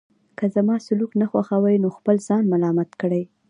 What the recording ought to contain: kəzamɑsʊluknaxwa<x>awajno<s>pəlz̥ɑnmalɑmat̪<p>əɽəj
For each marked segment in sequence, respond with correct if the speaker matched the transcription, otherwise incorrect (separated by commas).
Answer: correct, incorrect, incorrect